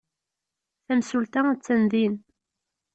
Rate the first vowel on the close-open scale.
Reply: open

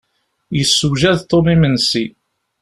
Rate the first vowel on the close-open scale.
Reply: mid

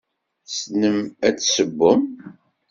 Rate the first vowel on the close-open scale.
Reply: mid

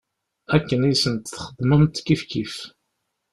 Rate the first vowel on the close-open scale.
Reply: open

